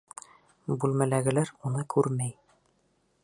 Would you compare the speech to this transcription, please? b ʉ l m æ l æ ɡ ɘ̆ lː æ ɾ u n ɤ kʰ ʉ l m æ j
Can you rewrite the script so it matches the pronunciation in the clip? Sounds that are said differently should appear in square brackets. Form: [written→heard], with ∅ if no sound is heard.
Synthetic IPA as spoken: b ʉ l m æ l æ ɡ ɘ̆ [lː→l] æ ɾ u n ɤ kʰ ʉ [l→ɾ] m æ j